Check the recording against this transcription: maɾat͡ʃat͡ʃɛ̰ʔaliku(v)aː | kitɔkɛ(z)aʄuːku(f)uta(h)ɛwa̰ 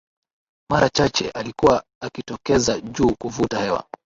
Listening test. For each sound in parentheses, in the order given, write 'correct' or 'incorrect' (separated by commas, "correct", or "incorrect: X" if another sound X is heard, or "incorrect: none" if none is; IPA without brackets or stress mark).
incorrect: w, correct, incorrect: v, correct